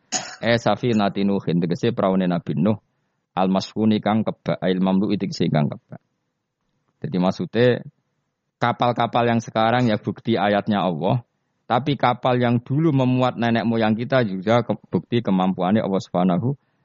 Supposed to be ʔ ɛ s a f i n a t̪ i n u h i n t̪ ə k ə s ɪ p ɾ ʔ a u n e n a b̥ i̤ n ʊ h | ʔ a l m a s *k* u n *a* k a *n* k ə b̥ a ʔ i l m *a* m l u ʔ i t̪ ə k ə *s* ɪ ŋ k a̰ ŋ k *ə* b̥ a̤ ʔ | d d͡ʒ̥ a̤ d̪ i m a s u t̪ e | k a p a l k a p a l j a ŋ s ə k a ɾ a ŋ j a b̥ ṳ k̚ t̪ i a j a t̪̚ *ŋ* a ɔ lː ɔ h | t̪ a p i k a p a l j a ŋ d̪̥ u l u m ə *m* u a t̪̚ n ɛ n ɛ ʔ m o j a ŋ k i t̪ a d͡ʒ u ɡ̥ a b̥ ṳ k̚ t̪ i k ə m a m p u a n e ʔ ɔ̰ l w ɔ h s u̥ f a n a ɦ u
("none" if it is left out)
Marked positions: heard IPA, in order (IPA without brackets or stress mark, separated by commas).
k, i, ŋ, a, s, ə, ɲ, m